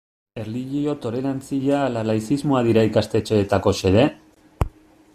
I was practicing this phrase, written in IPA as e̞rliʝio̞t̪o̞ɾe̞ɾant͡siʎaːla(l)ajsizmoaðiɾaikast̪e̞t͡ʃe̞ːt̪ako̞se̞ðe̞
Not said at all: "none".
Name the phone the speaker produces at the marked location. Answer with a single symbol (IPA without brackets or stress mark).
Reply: l